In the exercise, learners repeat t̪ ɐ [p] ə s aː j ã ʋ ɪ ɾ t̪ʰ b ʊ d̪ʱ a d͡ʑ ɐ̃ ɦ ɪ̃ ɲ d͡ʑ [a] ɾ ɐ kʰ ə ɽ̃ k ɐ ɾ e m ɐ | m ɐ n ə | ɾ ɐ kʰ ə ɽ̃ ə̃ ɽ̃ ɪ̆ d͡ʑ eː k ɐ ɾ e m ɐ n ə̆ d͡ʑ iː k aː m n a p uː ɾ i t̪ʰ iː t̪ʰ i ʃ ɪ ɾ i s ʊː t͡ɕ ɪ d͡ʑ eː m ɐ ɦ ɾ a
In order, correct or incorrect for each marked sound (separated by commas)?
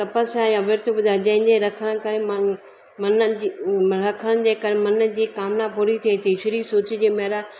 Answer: correct, incorrect